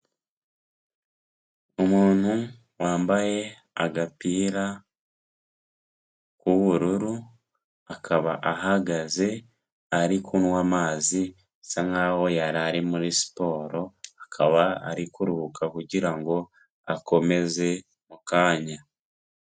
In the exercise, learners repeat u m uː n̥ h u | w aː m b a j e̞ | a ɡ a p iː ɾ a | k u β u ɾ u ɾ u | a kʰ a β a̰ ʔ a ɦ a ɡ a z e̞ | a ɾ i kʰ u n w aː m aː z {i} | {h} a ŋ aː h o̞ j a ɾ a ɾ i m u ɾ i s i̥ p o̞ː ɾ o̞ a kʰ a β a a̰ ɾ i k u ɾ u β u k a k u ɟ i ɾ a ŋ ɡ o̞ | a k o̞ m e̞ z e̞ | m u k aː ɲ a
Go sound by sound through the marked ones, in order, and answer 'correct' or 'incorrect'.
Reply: correct, incorrect: s

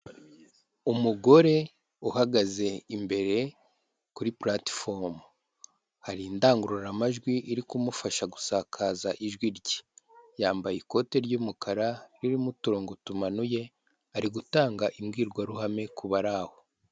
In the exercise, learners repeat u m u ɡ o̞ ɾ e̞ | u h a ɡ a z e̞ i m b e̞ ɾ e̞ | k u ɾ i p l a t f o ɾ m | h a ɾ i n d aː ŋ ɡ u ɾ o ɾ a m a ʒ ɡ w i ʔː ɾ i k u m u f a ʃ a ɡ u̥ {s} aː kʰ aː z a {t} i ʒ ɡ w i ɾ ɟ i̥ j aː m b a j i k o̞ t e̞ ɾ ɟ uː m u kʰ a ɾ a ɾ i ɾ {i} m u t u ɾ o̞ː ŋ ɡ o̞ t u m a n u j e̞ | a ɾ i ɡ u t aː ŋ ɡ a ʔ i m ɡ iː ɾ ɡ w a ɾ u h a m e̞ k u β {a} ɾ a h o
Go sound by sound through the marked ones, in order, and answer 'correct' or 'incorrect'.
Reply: correct, incorrect: ʔ, correct, correct

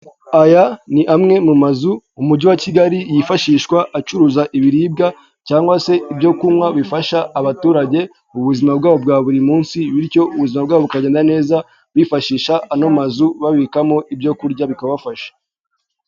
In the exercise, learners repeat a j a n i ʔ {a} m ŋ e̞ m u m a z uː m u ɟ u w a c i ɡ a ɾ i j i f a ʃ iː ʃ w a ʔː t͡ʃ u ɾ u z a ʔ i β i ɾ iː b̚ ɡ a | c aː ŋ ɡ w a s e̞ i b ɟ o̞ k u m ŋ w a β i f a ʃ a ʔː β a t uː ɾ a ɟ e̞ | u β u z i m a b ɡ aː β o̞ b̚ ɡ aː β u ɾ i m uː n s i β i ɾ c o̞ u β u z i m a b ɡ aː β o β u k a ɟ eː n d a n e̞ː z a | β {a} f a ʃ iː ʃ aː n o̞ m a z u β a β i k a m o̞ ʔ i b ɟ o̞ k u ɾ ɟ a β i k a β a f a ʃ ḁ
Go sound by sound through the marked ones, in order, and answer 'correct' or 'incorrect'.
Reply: correct, incorrect: i

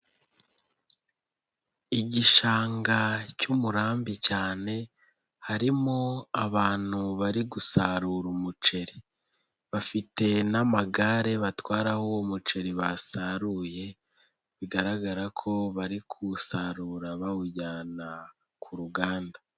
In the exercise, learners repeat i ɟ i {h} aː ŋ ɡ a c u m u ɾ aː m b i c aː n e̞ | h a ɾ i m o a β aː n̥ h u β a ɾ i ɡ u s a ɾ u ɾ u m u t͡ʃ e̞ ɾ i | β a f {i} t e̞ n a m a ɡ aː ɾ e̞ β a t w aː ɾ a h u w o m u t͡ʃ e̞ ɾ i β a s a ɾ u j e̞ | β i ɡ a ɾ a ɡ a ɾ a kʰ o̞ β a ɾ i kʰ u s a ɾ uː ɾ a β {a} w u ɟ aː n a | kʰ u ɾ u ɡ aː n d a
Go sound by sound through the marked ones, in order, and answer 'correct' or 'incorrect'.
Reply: incorrect: ʃ, correct, correct

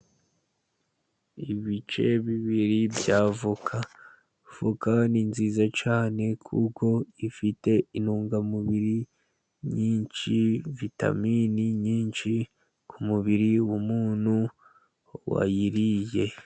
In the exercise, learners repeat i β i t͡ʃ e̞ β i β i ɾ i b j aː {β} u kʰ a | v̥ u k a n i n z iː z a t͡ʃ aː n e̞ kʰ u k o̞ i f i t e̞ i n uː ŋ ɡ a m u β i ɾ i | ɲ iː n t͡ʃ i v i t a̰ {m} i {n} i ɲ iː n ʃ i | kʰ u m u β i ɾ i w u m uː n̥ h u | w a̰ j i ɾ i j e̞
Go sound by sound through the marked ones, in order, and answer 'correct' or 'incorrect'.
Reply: incorrect: v, correct, correct

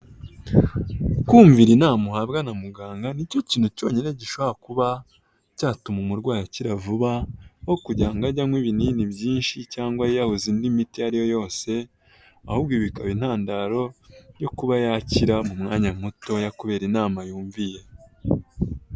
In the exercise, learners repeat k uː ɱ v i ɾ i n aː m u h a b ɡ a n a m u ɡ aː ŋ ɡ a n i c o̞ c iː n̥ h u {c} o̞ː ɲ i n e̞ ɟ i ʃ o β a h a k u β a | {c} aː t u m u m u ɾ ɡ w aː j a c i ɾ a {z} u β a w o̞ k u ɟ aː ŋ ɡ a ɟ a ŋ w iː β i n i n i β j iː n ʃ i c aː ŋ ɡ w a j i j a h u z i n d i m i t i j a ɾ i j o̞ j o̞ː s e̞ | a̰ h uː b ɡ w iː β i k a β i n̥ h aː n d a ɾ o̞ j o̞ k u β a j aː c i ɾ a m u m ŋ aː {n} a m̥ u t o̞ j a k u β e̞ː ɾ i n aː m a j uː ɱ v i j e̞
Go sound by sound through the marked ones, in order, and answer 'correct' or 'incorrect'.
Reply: correct, correct, incorrect: v, incorrect: ɲ

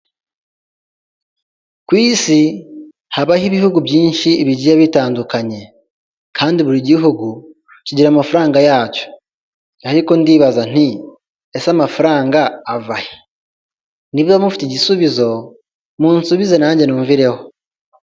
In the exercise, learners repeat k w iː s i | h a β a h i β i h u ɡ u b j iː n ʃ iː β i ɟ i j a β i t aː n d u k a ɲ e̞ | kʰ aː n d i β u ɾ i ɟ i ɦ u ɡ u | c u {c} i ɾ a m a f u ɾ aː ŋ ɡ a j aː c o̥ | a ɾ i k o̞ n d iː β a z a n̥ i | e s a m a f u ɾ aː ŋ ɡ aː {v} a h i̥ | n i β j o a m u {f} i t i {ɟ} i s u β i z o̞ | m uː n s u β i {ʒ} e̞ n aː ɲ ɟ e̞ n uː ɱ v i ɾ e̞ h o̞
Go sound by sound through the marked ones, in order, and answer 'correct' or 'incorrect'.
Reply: incorrect: ɟ, correct, correct, correct, incorrect: z

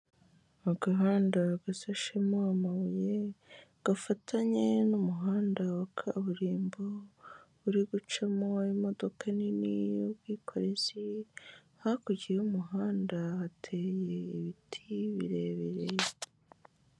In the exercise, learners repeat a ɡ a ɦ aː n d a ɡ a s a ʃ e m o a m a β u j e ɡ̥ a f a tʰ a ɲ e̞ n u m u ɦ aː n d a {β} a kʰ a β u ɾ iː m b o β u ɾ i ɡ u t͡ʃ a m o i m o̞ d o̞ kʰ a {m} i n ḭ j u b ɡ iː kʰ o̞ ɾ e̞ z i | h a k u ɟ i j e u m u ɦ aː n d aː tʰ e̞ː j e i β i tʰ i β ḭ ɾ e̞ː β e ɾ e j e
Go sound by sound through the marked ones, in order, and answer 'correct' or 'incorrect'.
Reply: incorrect: w, incorrect: n

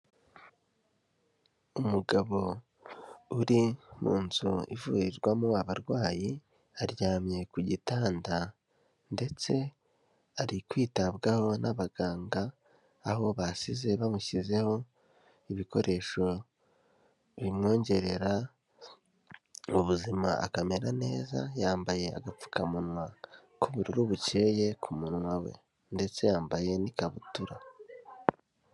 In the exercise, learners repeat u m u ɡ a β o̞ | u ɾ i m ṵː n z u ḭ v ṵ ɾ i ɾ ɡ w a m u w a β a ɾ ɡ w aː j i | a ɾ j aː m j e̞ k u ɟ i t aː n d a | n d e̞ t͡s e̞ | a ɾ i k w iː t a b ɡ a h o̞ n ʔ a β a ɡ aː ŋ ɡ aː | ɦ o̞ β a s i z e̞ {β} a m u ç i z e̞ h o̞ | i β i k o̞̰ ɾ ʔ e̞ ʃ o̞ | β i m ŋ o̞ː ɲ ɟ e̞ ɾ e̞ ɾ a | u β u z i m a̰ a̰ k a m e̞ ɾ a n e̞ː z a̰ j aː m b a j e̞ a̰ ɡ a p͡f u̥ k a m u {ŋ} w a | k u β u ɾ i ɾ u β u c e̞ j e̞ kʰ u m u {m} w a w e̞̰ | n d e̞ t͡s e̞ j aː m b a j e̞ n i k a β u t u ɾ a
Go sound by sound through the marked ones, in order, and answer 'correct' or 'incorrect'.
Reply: correct, incorrect: n, incorrect: n

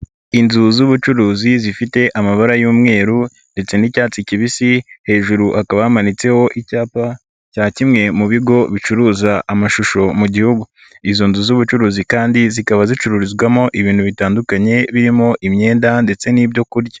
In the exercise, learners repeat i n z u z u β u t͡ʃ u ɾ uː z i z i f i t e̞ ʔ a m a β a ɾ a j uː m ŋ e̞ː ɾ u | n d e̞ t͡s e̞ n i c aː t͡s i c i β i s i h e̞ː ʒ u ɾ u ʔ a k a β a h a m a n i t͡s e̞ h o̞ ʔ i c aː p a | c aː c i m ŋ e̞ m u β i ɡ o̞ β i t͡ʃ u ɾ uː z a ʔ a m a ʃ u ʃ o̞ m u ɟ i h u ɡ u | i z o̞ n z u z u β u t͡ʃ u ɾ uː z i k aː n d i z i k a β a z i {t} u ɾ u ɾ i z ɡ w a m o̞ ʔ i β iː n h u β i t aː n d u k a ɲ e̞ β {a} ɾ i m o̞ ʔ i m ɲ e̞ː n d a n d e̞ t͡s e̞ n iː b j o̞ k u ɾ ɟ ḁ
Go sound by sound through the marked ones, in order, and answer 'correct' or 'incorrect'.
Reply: incorrect: t͡ʃ, incorrect: i

